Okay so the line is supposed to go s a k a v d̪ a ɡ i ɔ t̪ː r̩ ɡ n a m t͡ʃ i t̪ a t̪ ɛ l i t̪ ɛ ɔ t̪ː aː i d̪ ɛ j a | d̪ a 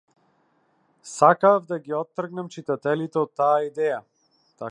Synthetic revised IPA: s a k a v d̪ a ɡ i ɔ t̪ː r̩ ɡ n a m t͡ʃ i t̪ a t̪ ɛ l i t̪ ɛ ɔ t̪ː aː i d̪ ɛ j a | t̪ a